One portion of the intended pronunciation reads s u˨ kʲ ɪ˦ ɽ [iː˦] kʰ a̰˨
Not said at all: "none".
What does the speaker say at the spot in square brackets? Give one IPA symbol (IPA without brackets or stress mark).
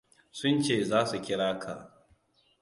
aː˦